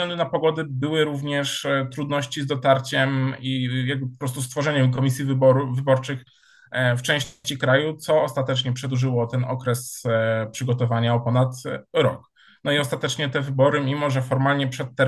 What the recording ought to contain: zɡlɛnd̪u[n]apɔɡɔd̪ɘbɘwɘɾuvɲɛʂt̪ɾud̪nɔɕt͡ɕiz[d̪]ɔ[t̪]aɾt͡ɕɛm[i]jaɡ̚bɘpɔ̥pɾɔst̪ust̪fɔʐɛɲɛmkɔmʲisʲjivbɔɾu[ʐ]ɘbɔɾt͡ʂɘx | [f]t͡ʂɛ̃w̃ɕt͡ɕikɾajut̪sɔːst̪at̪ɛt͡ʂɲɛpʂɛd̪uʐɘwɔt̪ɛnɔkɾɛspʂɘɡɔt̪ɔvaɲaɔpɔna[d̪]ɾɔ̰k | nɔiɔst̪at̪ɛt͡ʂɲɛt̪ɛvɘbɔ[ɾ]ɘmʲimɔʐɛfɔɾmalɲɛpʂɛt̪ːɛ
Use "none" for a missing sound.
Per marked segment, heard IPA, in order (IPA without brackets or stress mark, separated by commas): n, d̪, t̪, i, v, f, t̪, ɾ